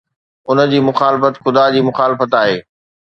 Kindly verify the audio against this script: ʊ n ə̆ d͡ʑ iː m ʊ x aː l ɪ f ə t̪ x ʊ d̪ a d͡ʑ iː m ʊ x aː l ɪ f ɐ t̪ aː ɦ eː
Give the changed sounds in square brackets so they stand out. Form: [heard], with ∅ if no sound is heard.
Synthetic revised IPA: ʊ n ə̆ d͡ʑ iː m ʊ x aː l ɪ f ə t̪ x ʊ d̪ a d͡ʑ iː m ʊ x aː l ɪ f [ə] t̪ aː ɦ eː